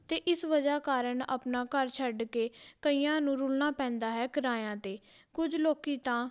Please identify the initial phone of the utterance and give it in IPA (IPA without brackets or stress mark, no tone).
t̪